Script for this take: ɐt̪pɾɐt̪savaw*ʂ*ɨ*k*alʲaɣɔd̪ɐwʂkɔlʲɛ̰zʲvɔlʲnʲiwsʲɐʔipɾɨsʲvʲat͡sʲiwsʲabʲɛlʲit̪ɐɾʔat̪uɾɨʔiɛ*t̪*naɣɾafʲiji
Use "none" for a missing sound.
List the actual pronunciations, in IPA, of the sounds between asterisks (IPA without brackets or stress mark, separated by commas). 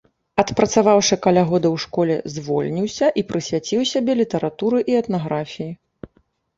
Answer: ʂ, k, t̪